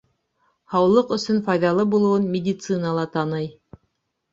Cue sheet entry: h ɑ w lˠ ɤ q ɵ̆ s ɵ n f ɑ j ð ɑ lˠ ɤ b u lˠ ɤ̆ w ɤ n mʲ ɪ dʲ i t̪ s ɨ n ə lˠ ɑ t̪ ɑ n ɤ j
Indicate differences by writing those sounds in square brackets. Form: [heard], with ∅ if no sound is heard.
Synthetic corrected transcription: h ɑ w lˠ ɤ q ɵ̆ s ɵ n f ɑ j ð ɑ lˠ ɤ b u lˠ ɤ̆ w ɤ n mʲ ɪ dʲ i t̪ s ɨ n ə lˠ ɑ t̪ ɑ n ɤ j